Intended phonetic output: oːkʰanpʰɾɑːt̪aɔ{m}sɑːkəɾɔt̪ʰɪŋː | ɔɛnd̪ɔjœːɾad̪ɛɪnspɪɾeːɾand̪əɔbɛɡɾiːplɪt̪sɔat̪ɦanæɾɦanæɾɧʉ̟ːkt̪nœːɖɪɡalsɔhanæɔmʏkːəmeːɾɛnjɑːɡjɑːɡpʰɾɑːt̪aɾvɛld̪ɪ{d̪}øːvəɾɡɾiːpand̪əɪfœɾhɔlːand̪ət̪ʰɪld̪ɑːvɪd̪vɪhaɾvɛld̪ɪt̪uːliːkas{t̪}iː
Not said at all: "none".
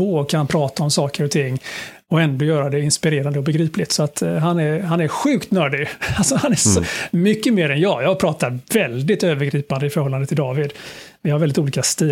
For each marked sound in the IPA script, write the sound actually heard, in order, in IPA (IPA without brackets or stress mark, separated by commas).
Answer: m, t̪, t̪